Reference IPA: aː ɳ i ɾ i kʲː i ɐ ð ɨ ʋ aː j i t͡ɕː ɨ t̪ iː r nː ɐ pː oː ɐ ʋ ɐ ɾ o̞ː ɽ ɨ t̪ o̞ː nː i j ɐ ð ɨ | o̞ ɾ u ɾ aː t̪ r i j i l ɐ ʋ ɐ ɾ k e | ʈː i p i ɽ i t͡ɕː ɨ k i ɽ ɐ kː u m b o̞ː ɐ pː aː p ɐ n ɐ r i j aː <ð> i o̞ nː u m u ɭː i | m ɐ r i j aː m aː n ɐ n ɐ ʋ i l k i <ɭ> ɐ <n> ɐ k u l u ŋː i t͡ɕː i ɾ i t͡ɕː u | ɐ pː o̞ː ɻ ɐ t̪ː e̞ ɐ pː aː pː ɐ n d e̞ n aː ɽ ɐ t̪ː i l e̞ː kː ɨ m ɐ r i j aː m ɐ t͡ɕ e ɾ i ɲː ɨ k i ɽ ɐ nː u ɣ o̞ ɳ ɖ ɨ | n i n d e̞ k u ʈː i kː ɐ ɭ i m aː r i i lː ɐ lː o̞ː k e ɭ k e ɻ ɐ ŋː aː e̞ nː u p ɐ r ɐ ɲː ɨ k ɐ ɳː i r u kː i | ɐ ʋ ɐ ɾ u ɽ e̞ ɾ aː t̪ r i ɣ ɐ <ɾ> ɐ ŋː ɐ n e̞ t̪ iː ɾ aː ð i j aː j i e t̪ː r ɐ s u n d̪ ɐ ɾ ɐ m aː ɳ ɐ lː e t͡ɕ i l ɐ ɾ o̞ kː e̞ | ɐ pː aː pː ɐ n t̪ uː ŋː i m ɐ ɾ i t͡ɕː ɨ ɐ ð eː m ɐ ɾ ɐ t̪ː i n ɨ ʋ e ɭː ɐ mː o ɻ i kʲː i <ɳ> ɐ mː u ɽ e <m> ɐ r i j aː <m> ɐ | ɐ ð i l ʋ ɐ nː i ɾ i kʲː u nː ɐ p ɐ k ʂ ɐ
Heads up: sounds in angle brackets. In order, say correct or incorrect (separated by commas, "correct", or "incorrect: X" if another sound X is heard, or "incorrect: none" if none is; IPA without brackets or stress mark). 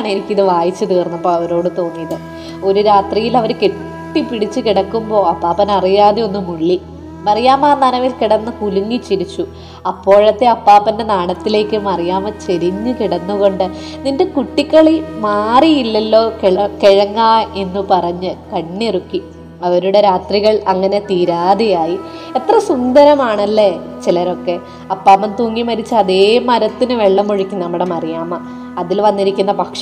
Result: correct, incorrect: ɽ, incorrect: nː, incorrect: ɭ, incorrect: n, correct, correct